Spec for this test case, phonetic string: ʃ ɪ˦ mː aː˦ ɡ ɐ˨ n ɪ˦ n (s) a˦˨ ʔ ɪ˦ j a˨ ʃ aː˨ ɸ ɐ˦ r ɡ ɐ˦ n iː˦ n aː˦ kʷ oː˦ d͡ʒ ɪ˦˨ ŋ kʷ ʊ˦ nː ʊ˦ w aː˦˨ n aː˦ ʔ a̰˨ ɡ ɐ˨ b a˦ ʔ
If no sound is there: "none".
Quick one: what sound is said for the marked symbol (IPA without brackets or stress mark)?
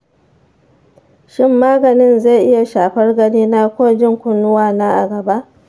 z